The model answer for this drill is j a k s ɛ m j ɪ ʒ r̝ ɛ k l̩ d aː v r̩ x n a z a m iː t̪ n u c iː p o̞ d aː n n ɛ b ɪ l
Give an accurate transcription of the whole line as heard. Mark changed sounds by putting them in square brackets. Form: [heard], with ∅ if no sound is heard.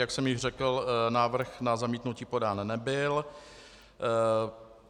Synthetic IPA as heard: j a k s ɛ m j ɪ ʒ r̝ ɛ k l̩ [n] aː v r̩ x n a z a m iː t̪ n u c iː p o̞ d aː n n ɛ b ɪ l